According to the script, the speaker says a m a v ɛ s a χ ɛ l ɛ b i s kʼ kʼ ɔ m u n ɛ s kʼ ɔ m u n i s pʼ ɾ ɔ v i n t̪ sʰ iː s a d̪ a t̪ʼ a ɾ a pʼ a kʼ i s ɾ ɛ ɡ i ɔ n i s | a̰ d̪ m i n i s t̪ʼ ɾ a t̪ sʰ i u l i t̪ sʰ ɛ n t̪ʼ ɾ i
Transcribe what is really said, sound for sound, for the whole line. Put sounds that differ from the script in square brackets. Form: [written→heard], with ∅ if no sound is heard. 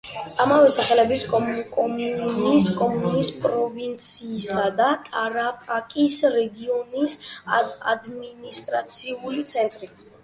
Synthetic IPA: a m a v ɛ s a χ ɛ l ɛ b i s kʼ kʼ ɔ m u n [ɛ→i] s kʼ ɔ m u n i s pʼ ɾ ɔ v i n t̪ sʰ iː s a d̪ a t̪ʼ a ɾ a pʼ a kʼ i s ɾ ɛ ɡ i ɔ n i s | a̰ d̪ m i n i s t̪ʼ ɾ a t̪ sʰ i u l i t̪ sʰ ɛ n t̪ʼ ɾ i